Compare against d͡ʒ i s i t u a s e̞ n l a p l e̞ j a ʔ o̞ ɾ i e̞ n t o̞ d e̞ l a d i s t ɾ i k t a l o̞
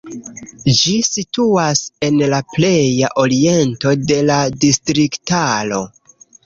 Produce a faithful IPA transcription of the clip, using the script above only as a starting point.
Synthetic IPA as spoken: d͡ʒ i s i t u a s e̞ n l a p l e̞ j a ʔ o̞ ɾ i e̞ n t o̞ d e̞ l a d i s t ɾ i k t a l o̞